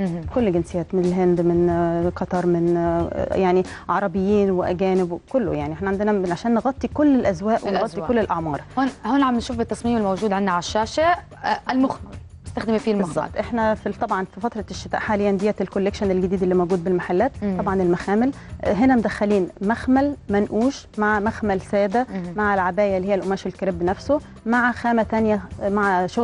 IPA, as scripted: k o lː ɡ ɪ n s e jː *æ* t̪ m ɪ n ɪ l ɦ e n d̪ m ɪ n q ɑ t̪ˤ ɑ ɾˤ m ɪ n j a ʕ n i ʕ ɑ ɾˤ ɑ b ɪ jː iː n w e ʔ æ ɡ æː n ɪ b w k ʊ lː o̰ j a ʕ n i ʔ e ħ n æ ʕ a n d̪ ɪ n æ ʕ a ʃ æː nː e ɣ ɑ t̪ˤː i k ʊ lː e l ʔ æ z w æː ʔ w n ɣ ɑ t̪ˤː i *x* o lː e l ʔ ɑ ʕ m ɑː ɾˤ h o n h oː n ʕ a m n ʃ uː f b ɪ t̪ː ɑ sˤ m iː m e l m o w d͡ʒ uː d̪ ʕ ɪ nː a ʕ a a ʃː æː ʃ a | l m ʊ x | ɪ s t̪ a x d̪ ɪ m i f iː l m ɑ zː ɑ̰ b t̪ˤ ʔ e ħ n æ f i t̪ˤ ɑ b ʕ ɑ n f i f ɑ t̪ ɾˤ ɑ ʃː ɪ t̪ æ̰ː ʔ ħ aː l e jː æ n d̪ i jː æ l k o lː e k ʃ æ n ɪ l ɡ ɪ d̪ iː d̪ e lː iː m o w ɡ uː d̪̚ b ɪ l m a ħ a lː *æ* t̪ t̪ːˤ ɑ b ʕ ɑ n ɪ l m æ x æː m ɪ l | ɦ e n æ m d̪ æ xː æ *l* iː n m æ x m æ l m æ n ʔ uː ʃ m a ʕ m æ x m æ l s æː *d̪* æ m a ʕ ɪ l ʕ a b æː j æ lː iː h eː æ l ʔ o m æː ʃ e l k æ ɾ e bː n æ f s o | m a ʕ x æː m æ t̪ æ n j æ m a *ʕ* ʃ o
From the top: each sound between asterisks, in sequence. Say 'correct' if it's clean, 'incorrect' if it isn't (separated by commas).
incorrect, incorrect, incorrect, correct, correct, correct